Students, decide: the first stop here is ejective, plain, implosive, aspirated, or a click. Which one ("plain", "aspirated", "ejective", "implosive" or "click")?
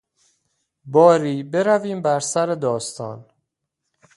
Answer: plain